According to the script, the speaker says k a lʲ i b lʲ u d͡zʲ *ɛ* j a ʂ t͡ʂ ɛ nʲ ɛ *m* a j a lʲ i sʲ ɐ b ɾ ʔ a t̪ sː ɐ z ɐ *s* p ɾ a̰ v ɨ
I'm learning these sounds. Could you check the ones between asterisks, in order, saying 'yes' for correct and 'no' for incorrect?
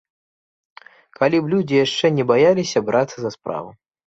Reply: no, no, yes

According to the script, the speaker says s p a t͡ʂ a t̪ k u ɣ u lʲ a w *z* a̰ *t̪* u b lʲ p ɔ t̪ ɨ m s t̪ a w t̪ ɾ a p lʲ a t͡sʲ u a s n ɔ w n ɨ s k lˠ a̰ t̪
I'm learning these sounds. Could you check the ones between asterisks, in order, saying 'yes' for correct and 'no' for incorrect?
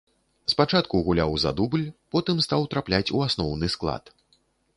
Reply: yes, no

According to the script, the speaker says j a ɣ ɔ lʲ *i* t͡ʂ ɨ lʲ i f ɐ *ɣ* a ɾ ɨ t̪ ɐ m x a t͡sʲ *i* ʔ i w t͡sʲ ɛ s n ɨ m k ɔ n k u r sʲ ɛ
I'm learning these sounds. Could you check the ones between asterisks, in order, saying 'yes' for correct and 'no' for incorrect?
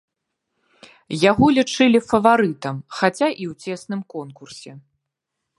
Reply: yes, no, no

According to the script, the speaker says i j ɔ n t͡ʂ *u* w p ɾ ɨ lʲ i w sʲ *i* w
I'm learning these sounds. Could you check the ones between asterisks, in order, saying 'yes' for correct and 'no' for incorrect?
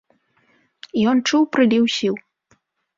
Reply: yes, yes

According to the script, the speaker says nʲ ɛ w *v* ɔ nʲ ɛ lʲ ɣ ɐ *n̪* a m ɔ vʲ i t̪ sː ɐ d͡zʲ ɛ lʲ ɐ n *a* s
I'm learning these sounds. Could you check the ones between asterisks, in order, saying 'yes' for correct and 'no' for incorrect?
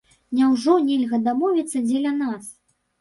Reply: no, no, yes

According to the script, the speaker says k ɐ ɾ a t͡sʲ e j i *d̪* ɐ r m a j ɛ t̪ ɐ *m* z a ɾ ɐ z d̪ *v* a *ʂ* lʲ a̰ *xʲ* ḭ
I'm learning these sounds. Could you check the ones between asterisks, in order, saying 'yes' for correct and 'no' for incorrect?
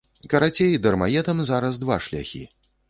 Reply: yes, yes, yes, yes, yes

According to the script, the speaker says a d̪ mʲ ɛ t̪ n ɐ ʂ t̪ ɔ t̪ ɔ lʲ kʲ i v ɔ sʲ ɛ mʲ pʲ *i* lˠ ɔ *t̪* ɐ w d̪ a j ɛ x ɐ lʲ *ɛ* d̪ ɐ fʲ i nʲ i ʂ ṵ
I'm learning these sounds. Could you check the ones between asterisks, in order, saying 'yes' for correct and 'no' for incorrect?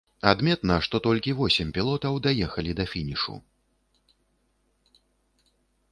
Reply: yes, yes, no

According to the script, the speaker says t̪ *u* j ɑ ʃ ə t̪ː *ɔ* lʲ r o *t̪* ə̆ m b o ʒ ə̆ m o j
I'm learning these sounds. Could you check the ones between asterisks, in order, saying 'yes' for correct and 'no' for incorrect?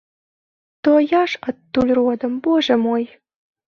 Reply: no, no, no

